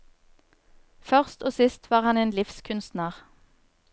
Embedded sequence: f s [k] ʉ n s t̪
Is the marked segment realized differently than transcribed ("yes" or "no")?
yes